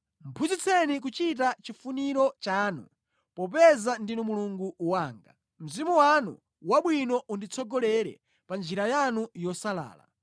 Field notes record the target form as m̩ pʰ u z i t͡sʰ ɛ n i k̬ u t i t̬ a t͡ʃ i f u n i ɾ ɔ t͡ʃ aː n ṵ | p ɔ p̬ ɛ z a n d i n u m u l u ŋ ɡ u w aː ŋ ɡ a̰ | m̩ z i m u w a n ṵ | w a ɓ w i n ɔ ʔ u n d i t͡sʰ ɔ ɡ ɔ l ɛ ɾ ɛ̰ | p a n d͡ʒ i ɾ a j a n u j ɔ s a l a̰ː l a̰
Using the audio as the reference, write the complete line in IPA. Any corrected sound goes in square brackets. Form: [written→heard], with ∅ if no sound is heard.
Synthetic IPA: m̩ pʰ u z i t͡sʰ ɛ n i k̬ u [t→t͡ʃ] i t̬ a t͡ʃ i f u n i ɾ ɔ t͡ʃ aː n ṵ | p ɔ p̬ ɛ z a n d i n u m u l u ŋ ɡ u w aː ŋ ɡ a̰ | m̩ z i m u w a n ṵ | w a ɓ w i n ɔ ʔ u n d i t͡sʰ ɔ ɡ ɔ l ɛ ɾ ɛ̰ | p a n d͡ʒ i ɾ a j a n u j ɔ s a l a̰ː l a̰